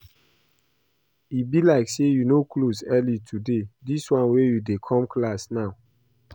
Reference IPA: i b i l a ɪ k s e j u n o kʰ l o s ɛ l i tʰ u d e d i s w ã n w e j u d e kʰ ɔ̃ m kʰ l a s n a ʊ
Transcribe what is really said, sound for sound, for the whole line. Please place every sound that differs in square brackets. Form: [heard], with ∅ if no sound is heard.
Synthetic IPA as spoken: i b i l a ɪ k s e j u n o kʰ l o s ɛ l i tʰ u d e d i s w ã n w e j u d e kʰ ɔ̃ m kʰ l a s n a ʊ